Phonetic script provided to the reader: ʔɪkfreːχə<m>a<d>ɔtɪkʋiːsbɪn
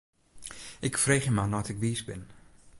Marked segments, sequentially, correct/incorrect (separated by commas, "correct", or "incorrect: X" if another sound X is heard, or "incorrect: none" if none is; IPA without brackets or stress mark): correct, incorrect: n